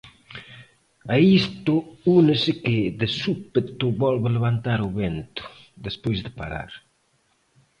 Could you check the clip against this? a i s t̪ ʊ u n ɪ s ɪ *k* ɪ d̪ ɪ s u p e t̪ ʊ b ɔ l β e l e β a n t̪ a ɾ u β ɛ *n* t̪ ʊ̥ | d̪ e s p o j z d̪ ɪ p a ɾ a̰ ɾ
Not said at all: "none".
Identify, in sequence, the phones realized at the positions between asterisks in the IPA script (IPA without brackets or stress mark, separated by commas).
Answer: k, n